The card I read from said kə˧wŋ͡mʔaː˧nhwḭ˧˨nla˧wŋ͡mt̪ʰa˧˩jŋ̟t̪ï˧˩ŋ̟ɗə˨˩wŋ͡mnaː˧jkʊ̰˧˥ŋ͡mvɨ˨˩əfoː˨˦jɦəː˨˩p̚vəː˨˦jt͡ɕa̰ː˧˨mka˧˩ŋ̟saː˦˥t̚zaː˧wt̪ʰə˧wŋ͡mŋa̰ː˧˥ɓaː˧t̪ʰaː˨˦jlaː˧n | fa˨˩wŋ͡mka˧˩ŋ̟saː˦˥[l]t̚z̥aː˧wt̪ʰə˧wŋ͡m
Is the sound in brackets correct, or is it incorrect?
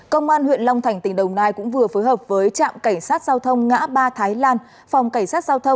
incorrect